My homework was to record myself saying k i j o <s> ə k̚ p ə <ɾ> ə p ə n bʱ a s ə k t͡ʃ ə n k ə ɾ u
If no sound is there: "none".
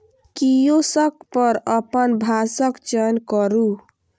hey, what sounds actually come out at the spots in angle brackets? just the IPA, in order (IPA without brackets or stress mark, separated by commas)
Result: s, ɾ